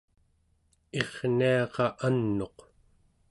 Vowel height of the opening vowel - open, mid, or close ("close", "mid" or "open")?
mid